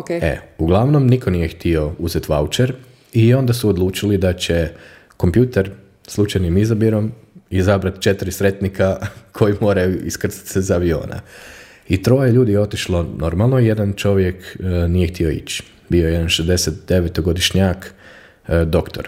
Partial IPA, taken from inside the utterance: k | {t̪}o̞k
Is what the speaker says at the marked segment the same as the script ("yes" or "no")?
no